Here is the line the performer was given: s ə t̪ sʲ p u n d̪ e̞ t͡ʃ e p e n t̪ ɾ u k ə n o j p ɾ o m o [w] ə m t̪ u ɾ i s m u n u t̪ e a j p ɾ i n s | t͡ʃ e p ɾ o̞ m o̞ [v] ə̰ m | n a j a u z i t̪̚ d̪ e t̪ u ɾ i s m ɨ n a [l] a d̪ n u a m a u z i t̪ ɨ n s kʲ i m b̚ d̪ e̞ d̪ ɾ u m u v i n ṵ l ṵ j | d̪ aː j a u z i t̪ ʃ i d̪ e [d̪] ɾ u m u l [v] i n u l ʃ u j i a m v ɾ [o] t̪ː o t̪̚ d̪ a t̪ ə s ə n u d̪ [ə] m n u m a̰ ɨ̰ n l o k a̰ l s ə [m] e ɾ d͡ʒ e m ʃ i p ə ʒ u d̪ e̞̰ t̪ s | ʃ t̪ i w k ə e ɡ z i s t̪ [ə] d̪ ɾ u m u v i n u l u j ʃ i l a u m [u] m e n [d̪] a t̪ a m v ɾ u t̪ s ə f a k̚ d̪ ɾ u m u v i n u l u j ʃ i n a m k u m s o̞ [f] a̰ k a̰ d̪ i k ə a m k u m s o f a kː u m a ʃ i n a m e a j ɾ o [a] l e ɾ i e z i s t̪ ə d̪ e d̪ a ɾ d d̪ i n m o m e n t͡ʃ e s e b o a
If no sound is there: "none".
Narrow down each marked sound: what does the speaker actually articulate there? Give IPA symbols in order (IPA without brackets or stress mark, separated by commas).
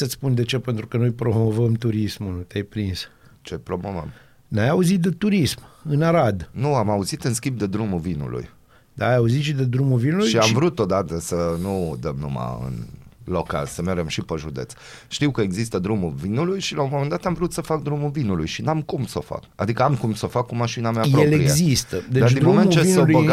v, v, ɾ, d̪, v, u, ə, m, ə, o, d̪, f, e